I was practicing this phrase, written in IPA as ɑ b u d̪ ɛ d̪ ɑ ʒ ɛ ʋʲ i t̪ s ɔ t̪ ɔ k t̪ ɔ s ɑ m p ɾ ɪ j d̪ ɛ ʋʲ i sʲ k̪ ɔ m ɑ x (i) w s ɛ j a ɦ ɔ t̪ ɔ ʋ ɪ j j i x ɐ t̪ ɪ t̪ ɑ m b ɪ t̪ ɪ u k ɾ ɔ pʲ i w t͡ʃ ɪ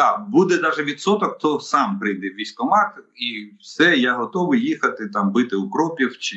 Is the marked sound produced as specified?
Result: yes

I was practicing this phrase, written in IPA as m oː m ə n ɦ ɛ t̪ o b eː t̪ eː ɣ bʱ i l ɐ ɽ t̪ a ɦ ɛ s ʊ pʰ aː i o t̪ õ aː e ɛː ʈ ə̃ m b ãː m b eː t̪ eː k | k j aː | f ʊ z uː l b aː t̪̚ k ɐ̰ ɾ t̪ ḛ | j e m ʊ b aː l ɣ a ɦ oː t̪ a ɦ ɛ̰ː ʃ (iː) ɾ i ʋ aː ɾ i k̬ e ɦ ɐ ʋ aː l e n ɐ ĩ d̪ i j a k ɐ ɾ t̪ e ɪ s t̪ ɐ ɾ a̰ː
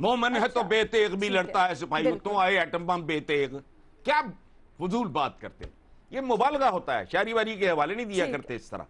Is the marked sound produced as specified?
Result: no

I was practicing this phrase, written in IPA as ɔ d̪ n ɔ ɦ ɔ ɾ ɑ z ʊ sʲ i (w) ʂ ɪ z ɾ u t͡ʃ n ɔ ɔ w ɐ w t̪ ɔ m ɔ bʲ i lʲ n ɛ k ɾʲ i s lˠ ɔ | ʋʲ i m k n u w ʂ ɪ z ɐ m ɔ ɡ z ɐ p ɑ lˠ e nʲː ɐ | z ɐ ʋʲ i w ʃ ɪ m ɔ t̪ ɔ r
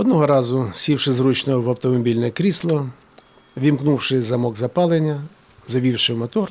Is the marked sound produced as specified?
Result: yes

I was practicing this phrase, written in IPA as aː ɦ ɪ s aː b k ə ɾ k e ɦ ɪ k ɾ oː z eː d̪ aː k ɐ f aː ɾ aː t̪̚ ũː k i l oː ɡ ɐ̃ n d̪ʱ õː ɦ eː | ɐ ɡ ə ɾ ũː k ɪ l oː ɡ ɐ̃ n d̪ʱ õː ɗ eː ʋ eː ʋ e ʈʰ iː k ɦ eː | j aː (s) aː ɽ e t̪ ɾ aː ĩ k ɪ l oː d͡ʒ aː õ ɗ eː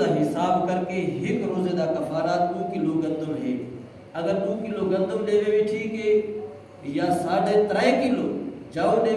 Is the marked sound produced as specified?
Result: yes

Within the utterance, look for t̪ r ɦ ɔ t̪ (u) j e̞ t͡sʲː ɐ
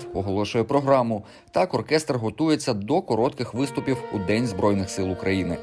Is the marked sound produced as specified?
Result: yes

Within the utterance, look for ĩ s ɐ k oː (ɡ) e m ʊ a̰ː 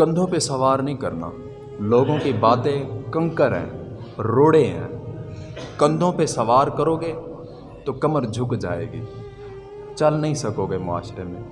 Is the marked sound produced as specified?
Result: yes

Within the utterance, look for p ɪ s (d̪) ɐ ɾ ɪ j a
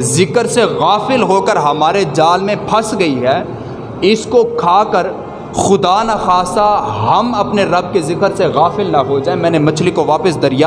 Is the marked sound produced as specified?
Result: yes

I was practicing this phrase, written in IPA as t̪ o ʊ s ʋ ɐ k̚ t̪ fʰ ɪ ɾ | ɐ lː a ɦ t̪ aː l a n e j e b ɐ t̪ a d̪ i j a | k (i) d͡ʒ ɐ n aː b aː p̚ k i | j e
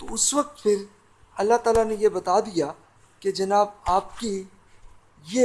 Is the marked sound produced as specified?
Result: no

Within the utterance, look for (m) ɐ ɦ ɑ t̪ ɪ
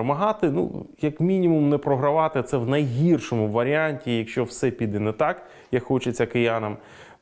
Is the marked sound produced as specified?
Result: yes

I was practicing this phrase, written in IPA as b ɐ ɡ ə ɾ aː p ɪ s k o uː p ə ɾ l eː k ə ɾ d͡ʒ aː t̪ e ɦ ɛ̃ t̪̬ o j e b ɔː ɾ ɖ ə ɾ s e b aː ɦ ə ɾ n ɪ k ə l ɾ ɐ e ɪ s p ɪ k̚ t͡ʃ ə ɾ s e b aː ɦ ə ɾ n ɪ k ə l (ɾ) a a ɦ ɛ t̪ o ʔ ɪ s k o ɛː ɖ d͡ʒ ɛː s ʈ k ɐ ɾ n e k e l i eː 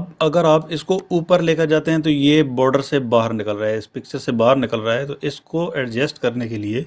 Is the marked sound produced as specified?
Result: yes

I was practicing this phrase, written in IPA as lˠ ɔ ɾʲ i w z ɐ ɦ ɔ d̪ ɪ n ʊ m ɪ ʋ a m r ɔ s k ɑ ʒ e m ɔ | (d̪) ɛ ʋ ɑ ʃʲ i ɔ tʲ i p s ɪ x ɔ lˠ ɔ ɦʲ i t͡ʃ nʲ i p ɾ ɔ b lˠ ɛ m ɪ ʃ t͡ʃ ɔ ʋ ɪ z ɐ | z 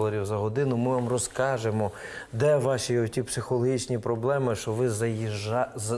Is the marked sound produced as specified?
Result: yes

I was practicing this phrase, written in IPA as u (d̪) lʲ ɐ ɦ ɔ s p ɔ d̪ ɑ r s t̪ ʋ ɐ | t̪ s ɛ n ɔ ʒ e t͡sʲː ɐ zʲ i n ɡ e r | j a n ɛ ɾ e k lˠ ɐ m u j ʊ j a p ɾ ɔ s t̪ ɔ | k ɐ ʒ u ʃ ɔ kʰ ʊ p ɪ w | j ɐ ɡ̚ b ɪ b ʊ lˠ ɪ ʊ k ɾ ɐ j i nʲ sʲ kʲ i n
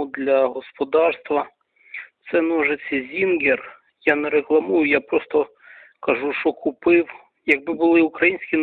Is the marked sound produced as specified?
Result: yes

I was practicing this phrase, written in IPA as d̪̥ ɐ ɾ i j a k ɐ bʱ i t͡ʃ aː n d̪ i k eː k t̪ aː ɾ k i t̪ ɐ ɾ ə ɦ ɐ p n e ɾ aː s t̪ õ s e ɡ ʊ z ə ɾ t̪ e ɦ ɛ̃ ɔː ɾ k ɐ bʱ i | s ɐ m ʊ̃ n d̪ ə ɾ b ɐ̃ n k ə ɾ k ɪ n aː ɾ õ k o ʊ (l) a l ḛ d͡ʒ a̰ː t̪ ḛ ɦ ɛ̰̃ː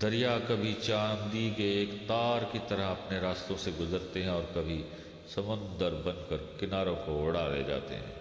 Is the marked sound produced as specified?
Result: no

